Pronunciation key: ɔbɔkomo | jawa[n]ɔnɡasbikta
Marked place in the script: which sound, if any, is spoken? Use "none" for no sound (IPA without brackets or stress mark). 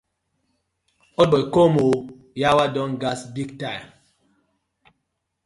d